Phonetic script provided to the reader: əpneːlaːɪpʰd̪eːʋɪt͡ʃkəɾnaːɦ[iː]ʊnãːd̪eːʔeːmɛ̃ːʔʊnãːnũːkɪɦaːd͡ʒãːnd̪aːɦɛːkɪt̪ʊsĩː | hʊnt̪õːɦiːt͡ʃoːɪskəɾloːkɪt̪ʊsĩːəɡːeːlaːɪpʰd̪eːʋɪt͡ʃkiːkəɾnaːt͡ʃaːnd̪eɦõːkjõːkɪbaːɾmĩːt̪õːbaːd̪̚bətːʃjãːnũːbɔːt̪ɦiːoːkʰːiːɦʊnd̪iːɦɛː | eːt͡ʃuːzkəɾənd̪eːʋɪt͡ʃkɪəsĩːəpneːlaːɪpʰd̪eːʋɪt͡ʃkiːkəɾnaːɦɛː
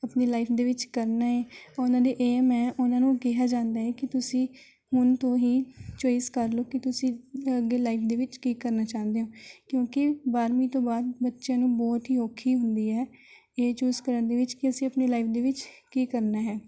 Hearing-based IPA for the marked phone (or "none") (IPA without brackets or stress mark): ɛː